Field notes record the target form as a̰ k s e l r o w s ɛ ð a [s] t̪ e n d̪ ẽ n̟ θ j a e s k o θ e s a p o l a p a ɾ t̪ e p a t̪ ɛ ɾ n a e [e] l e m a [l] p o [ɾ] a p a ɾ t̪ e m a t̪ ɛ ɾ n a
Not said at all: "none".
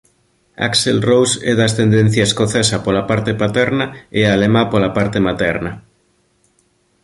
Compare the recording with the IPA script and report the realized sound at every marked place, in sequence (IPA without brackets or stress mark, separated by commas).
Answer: s, a, none, l